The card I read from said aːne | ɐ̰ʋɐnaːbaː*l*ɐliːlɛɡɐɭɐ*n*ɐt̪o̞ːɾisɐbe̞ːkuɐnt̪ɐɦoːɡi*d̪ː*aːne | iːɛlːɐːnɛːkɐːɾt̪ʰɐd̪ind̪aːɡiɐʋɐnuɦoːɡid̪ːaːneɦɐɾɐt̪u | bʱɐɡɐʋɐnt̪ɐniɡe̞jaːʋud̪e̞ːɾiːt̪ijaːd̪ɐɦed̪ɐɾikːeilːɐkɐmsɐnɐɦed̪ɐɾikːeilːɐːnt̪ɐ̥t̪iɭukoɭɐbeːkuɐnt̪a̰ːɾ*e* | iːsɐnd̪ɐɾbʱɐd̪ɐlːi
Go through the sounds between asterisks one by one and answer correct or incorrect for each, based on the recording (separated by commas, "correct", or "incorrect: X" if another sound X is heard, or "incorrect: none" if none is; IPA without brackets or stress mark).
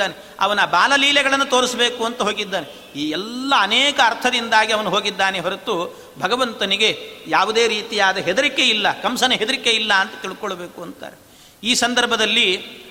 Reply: correct, incorrect: nː, correct, correct